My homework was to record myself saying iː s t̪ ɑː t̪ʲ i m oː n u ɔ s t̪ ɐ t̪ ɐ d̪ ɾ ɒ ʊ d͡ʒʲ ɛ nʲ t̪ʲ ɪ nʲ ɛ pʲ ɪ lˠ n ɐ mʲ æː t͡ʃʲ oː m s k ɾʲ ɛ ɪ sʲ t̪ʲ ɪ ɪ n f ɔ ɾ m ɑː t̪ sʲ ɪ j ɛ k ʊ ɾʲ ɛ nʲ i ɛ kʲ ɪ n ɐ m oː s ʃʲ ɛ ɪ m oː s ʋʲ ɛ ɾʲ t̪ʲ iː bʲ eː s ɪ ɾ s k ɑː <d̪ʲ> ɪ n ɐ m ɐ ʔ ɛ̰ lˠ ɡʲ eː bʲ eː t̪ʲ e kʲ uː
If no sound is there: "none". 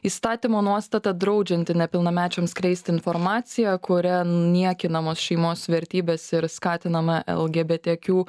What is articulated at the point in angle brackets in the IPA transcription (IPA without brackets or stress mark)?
t̪ʲ